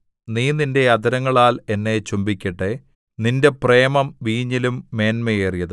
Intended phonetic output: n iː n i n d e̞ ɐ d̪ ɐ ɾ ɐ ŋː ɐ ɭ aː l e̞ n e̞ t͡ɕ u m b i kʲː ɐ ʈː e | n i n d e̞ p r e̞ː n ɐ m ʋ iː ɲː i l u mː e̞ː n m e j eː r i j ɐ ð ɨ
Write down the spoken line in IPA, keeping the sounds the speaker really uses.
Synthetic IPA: n iː n i n d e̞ ɐ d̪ ɐ ɾ ɐ ŋː ɐ ɭ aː l e̞ nː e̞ t͡ɕ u m b i kʲː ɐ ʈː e | n i n d e̞ p r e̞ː m ɐ m ʋ iː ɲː i l u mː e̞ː n m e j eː r i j ɐ ð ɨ